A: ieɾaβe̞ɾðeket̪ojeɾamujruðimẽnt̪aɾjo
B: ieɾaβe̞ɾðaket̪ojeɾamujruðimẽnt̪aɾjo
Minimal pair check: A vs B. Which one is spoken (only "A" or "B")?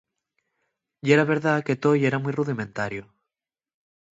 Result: B